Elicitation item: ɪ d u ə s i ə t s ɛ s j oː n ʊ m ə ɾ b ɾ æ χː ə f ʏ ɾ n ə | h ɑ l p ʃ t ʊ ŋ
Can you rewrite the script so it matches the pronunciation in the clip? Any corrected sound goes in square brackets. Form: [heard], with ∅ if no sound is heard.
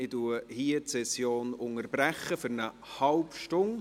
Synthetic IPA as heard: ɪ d u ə [h] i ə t s ɛ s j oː n ʊ [ŋ] ə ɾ b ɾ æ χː ə f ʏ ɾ n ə | h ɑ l p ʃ t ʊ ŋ

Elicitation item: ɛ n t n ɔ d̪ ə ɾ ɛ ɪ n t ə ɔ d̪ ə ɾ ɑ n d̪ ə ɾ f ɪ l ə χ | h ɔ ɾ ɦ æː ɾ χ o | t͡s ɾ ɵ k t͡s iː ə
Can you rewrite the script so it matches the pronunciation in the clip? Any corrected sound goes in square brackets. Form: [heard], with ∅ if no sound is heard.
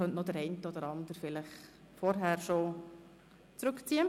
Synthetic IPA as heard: [œ] n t n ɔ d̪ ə ɾ ɛ ɪ n t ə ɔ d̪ ə ɾ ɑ n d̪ ə ɾ f ɪ l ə χ | [f] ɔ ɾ ɦ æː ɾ [ʃ] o | t͡s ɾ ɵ k t͡s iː ə

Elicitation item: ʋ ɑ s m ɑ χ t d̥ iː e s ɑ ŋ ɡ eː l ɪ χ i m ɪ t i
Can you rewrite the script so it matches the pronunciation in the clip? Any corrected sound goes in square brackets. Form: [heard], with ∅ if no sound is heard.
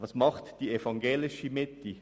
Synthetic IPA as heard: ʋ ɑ s m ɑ χ t d̥ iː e [f] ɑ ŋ ɡ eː l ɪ [ʃ] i m ɪ t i

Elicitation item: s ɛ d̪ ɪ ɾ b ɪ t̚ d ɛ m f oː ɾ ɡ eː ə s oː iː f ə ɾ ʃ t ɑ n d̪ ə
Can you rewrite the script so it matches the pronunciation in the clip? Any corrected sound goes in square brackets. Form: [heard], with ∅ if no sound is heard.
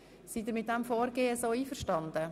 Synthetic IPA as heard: s [i] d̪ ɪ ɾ [m] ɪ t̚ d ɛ m f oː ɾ ɡ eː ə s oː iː f ə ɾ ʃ t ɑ n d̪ ə

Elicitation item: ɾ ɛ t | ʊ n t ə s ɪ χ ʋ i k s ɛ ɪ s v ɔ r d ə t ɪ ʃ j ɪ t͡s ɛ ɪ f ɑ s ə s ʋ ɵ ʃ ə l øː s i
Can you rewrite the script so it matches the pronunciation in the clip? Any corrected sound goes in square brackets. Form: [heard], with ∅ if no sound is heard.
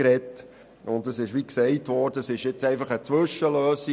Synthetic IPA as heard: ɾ ɛ t | ʊ n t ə s ɪ [ʃ] ʋ i k s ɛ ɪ [t] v ɔ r d ə [s] ɪ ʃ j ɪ t͡s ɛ ɪ f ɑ [χ] ə [t͡s] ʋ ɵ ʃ ə l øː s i

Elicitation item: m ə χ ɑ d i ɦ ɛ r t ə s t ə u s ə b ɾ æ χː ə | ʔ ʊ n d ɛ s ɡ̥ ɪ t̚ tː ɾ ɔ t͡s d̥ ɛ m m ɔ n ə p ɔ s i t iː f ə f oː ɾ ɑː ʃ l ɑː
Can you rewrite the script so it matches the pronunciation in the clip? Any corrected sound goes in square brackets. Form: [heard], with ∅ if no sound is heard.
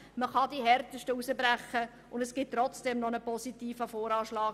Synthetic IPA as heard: m ə χ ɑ d i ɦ ɛ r t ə [ʃ] t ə u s ə b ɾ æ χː ə | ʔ ʊ n d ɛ s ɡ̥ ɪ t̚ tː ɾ ɔ t͡s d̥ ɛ m [n] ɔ n ə p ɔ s i t iː f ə f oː ɾ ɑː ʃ l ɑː

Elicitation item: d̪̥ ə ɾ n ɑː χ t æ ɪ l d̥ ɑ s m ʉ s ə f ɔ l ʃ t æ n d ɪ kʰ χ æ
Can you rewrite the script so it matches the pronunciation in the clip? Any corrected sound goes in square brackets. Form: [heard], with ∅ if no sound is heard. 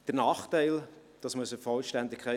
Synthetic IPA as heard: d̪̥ ə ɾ n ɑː χ t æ ɪ l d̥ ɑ s m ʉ s ə f ɔ l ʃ t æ n d ɪ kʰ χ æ

